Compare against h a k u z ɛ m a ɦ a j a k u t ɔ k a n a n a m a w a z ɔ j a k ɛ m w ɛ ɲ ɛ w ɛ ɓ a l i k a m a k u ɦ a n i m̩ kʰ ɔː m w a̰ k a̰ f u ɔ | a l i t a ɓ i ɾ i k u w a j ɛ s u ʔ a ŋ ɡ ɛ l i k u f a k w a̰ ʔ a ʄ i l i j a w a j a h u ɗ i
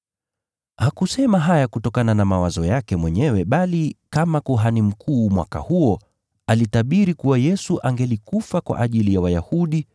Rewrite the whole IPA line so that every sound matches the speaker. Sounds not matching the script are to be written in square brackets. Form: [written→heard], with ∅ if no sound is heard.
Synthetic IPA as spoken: h a k u [z→s] ɛ m a ɦ a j a k u t ɔ k a n a n a m a w a z ɔ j a k ɛ m w ɛ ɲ ɛ w ɛ ɓ a l i k a m a k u ɦ a n i m̩ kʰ [ɔː→uː] m w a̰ k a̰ [f→h] u ɔ | a l i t a ɓ i ɾ i k u w a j ɛ s u ʔ a ŋ ɡ ɛ l i k u f a k w a̰ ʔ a ʄ i l i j a w a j a h u ɗ i